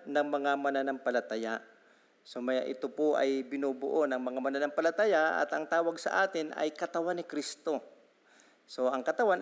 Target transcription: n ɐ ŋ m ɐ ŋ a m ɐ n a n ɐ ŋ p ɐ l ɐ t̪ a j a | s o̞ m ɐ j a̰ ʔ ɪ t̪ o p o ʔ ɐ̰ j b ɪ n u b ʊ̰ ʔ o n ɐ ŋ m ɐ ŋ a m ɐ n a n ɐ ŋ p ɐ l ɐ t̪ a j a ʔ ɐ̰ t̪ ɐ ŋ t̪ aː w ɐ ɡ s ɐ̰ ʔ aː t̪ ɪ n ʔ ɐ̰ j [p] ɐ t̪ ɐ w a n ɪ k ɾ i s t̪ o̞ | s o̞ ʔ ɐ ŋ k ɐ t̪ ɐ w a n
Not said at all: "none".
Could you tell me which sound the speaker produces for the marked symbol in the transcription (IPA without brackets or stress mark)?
k